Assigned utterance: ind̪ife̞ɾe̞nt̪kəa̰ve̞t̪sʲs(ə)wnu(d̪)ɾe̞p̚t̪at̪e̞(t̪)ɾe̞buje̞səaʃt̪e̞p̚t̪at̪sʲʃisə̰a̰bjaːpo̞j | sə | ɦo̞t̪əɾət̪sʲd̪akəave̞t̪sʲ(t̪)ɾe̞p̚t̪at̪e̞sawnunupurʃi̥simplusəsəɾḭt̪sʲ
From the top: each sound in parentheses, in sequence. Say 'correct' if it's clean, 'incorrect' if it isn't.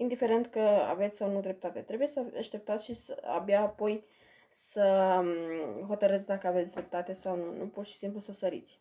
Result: incorrect: a, correct, correct, incorrect: d̪

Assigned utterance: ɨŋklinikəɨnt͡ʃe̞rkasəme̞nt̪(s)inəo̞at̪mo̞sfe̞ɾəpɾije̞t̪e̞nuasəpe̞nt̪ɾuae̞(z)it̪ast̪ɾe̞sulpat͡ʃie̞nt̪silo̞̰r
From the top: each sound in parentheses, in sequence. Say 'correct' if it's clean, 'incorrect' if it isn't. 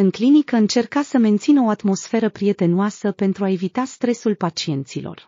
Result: correct, incorrect: v

